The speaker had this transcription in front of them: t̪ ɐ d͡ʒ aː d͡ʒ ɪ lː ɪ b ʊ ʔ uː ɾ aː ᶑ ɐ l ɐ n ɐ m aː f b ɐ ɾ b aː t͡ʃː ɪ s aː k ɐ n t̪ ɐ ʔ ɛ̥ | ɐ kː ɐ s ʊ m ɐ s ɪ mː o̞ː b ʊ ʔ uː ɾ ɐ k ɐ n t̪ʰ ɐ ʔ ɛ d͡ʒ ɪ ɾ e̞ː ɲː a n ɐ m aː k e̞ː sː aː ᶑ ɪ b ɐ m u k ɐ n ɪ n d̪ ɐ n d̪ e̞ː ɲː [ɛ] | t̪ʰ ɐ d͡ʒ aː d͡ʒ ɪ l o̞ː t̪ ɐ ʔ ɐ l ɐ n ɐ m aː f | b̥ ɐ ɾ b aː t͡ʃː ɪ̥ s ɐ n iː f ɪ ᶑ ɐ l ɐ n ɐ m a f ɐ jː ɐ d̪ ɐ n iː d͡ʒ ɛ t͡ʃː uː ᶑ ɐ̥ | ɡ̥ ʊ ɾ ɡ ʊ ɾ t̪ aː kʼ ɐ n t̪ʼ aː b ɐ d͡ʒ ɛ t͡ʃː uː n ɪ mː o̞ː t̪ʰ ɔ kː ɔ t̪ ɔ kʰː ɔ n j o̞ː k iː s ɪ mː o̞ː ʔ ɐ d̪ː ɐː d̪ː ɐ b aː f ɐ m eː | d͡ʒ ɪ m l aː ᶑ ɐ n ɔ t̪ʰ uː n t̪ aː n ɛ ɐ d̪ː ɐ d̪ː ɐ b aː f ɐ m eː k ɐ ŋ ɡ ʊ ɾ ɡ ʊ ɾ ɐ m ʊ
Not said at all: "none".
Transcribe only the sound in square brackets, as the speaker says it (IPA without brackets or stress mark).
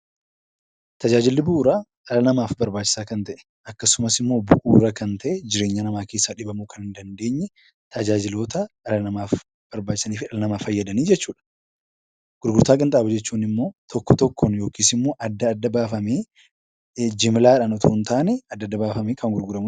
ɛ